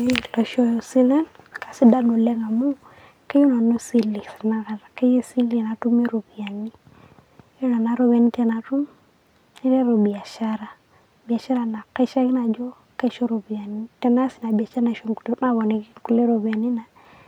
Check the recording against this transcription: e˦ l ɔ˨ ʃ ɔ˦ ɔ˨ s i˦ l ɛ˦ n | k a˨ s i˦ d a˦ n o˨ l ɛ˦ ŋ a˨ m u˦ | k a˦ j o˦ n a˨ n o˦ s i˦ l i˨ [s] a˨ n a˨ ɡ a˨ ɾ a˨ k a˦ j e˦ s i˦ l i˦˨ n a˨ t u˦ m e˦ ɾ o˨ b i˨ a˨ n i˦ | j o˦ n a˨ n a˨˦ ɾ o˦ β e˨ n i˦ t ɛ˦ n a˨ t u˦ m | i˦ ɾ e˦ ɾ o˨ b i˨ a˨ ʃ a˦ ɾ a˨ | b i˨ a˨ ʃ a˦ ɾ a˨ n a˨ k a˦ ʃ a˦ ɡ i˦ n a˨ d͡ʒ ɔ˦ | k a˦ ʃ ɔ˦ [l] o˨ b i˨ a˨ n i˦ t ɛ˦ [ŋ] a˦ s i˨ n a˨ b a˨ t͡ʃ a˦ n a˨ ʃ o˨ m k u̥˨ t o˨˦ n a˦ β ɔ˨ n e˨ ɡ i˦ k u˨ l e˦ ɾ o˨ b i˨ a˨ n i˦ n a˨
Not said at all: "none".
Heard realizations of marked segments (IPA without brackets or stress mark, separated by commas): s, ɾ, n